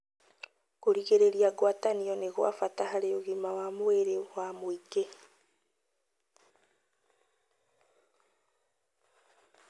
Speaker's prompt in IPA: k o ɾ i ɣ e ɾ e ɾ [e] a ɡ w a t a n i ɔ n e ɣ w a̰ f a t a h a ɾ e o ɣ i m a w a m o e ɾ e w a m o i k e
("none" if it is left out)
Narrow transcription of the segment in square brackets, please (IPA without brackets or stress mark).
i